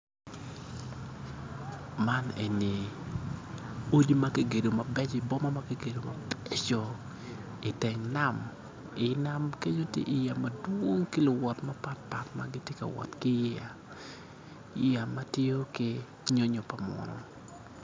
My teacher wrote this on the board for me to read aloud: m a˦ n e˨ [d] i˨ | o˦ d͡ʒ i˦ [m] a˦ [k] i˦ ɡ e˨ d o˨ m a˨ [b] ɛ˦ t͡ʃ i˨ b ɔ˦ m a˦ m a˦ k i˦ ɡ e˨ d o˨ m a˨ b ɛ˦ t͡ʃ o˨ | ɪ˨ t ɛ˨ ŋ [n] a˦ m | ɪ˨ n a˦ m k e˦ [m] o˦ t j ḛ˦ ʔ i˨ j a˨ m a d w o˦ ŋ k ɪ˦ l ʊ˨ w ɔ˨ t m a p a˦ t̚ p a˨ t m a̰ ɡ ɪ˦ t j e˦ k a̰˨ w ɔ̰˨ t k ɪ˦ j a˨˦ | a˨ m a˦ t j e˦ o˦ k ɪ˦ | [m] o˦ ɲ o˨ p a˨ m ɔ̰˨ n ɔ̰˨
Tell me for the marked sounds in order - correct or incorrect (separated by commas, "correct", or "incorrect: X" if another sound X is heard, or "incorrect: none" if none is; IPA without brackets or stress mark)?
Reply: incorrect: n, correct, correct, correct, correct, incorrect: ɲ, incorrect: ɲ